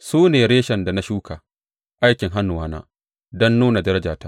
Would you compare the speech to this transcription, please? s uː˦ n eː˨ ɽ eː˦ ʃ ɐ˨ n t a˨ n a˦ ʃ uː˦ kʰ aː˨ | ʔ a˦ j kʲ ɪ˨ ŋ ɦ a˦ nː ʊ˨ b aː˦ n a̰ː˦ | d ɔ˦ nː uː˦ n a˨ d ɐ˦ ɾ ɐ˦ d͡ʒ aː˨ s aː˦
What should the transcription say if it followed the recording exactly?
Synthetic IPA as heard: s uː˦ n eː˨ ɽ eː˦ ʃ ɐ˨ n d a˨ n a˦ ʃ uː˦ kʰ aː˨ | ʔ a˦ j kʲ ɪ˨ ŋ ɦ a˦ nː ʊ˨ w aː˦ n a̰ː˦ | d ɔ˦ nː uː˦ n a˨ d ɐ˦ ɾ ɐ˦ d͡ʒ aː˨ t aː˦